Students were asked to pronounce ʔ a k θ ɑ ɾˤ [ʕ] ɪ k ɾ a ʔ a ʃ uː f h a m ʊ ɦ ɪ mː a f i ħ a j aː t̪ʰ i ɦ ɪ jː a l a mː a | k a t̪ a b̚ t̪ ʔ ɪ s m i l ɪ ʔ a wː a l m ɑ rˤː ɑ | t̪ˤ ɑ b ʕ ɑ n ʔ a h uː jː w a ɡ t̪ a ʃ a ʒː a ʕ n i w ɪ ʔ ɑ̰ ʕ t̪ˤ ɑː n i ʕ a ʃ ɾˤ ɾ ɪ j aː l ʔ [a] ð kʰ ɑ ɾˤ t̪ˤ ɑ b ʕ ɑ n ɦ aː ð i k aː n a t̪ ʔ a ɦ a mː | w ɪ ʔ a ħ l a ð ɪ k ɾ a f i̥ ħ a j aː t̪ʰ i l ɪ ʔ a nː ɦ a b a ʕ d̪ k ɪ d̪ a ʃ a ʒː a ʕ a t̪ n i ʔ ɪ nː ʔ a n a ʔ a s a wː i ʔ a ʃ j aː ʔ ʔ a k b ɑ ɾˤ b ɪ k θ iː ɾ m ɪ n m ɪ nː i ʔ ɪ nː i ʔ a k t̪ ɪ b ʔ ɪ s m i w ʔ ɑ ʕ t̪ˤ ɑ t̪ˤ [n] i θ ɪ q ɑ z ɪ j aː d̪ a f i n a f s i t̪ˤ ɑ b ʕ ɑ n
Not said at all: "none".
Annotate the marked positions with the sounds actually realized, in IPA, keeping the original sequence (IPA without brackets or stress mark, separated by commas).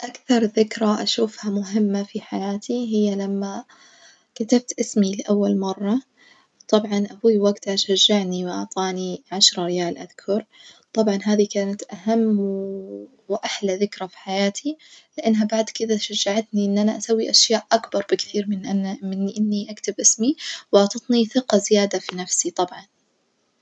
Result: ð, a, n